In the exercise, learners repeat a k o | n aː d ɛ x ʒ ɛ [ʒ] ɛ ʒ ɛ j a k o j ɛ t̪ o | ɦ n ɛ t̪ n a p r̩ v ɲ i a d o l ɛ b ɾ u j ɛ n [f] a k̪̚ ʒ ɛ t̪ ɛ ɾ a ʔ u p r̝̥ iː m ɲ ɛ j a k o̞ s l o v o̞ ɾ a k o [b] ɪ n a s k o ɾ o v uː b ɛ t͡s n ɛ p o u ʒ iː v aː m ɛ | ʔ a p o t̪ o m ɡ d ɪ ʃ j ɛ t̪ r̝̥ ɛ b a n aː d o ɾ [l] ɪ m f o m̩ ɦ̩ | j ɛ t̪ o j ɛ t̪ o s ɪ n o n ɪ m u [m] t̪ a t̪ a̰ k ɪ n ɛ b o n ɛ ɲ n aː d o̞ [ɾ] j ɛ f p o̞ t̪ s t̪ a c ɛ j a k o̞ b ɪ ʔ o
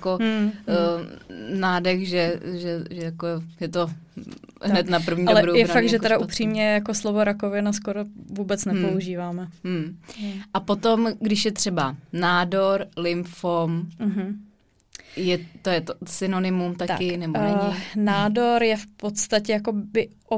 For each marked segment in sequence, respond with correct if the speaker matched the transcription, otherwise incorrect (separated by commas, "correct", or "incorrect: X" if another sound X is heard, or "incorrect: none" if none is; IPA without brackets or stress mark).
correct, correct, incorrect: v, correct, correct, correct